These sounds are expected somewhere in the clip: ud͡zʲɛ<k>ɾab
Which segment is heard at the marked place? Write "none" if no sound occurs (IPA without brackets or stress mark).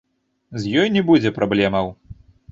p